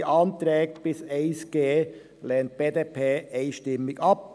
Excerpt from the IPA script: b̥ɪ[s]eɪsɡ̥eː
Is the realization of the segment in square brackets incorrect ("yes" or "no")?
no